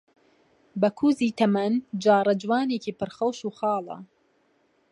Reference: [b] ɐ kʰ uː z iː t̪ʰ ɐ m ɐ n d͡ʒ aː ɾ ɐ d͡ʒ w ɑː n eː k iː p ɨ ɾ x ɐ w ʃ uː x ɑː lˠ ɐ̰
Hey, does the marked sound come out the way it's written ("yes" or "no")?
yes